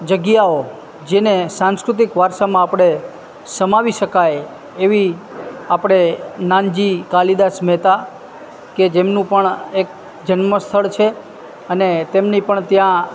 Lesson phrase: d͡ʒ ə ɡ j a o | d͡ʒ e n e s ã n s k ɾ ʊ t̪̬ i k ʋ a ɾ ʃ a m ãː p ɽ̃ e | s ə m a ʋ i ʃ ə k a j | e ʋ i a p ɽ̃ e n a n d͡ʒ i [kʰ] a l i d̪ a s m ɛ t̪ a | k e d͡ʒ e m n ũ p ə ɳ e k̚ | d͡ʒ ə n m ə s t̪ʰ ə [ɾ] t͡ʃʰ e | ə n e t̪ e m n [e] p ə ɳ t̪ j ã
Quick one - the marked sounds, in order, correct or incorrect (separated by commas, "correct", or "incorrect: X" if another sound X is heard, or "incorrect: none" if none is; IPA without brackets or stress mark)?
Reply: incorrect: k, incorrect: ɭ, incorrect: i